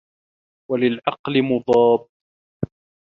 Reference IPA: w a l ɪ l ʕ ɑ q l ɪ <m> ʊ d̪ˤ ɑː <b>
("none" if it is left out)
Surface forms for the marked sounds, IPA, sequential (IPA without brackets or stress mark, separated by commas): m, b